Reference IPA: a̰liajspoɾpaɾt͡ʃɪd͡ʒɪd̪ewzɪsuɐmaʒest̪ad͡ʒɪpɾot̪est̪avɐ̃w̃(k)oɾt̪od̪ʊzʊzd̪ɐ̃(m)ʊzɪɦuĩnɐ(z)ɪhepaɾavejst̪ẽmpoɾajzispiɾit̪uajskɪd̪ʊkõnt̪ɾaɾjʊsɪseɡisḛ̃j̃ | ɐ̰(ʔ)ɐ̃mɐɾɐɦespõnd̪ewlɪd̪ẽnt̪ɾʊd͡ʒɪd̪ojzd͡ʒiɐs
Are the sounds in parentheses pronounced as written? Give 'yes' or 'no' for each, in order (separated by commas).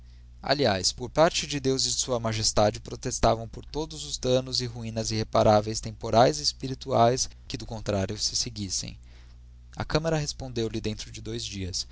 no, no, yes, no